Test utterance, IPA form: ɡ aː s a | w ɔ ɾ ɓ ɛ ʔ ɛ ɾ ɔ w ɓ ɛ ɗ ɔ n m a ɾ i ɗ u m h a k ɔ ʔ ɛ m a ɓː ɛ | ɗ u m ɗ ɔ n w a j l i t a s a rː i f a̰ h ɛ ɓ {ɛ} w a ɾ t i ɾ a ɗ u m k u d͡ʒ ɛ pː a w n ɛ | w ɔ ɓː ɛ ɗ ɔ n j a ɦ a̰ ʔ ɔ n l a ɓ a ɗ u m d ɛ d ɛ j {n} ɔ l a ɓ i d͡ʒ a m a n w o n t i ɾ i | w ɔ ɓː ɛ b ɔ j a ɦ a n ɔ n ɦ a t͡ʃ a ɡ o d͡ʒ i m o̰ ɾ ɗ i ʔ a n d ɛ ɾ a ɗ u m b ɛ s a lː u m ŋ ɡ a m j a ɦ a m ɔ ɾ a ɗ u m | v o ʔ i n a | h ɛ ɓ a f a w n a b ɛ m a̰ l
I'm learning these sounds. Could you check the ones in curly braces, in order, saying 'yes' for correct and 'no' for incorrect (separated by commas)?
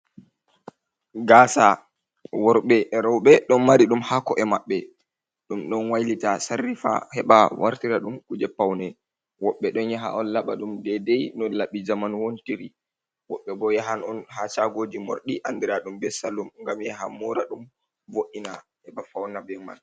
no, yes